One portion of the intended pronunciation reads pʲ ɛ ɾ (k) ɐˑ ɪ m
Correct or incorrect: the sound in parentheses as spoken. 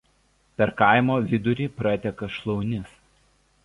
correct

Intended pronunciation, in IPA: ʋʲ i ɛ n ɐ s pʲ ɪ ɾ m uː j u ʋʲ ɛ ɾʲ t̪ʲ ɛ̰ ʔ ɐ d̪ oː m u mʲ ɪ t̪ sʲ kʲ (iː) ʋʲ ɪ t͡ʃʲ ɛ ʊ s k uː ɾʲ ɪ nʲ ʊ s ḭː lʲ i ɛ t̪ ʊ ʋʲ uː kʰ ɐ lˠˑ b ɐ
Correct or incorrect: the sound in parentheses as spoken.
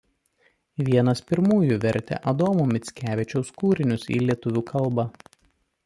incorrect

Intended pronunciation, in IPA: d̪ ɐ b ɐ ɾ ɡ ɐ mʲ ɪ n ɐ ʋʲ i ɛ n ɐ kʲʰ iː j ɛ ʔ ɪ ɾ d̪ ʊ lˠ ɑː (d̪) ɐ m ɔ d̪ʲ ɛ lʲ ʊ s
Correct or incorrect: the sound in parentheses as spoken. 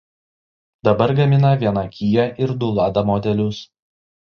correct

